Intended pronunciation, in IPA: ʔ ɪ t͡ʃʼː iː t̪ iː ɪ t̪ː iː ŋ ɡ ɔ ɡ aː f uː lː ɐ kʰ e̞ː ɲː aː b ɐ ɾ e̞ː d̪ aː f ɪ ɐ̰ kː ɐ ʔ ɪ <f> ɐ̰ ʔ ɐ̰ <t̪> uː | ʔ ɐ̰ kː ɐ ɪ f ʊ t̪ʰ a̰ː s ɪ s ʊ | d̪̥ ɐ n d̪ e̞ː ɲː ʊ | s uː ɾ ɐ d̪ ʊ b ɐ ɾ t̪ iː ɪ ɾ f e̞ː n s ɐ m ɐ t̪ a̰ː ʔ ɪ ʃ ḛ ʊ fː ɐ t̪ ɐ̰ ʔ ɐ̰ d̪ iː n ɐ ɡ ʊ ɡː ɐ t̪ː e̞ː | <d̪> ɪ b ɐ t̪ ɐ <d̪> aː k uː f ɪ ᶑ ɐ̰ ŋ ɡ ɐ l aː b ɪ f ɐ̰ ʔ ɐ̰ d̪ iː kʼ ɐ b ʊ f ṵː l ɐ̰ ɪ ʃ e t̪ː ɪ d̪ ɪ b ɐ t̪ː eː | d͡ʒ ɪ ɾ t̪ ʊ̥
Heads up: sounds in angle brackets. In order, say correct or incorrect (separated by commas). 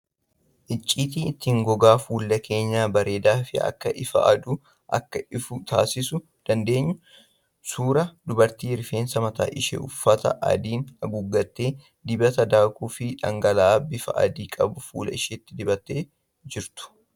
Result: correct, incorrect, correct, correct